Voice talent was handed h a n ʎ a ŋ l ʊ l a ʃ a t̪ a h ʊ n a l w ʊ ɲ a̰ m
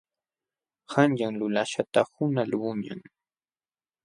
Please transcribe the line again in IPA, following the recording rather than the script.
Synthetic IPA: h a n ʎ a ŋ l ʊ l a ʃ a t̪ a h ʊ n a l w ʊ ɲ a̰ ŋ